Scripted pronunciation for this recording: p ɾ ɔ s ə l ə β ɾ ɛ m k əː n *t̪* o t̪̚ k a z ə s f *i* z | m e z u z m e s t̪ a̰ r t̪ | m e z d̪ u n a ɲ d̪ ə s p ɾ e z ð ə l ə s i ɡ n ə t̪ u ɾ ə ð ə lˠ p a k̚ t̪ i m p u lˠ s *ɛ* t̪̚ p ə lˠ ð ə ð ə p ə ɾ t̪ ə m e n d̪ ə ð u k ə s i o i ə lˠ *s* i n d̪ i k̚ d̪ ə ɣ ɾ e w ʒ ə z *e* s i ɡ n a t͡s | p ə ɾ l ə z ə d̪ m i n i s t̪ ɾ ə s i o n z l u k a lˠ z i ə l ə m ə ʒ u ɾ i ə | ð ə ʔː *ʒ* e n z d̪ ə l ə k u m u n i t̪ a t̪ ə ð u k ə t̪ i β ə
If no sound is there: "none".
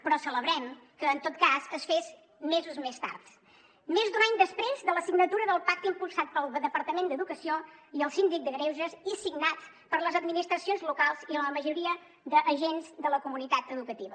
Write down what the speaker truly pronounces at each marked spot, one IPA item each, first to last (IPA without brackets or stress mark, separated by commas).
t̪, e, a, s, i, ʒ